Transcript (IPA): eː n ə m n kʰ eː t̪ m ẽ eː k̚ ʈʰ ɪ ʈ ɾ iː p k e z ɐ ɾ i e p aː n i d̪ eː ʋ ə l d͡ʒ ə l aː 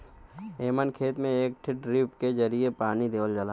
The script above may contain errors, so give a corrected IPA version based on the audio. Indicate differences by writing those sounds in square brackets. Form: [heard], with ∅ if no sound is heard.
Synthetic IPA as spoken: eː [m] ə [∅] n kʰ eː t̪ m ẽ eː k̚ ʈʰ ɪ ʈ ɾ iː p k e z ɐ ɾ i e p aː n i d̪ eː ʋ ə l d͡ʒ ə l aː